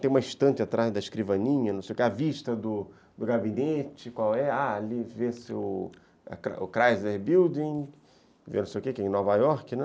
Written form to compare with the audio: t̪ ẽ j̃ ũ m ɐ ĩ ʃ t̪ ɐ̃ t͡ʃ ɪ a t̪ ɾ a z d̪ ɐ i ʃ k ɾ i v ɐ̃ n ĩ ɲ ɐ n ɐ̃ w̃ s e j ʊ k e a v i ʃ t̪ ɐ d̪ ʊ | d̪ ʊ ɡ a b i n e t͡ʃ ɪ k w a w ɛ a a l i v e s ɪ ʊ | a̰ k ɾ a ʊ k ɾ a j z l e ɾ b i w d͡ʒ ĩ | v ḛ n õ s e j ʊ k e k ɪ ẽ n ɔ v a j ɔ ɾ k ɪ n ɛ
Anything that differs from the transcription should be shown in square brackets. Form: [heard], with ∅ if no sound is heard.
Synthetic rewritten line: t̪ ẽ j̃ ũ m ɐ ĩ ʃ t̪ ɐ̃ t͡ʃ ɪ a t̪ ɾ a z d̪ ɐ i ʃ k ɾ i v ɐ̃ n ĩ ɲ ɐ n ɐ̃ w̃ s e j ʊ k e a v i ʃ t̪ ɐ d̪ ʊ | d̪ ʊ ɡ a b i n e t͡ʃ ɪ k w a w ɛ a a l i v e s ɪ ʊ | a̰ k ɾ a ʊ k ɾ a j z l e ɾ b i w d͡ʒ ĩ | v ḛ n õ s e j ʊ k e k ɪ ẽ n ɔ v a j ɔ ɾ k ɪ n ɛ